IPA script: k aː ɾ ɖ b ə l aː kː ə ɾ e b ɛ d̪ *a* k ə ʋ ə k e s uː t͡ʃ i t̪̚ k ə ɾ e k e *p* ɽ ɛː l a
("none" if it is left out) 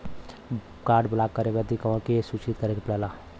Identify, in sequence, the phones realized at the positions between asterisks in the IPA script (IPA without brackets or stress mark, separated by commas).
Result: i, p